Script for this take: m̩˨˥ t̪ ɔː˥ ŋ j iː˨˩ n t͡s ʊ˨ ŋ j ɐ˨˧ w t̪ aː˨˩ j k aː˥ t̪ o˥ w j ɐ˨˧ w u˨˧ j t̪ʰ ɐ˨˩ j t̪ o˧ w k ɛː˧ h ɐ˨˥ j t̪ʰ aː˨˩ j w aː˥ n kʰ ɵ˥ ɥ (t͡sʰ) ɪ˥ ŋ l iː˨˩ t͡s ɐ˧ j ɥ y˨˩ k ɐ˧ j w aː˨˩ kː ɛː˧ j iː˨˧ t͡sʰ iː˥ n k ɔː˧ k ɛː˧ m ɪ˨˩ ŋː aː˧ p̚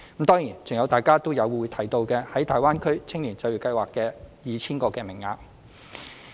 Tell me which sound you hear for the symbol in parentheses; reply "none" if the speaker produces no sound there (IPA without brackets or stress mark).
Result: t͡sʰ